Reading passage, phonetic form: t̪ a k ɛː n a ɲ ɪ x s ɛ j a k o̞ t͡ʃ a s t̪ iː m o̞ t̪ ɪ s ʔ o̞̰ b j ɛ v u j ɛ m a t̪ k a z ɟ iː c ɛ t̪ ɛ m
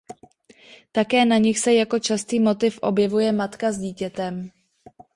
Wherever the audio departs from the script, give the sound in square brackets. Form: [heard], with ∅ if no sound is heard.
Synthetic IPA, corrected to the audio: t̪ a k ɛː n a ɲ ɪ x s ɛ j a k o̞ t͡ʃ a s t̪ iː m o̞ t̪ ɪ [f] ʔ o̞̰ b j ɛ v u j ɛ m a t̪ k a z ɟ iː c ɛ t̪ ɛ m